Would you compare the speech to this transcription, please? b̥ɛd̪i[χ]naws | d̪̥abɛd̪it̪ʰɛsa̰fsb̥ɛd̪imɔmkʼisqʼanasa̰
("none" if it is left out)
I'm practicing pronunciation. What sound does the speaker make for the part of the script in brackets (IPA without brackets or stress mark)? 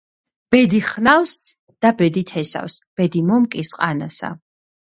χ